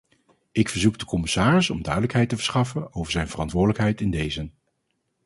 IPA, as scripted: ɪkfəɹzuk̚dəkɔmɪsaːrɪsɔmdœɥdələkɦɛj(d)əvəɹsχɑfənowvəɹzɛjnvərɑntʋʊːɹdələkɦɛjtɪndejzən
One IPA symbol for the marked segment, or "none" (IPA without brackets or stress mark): t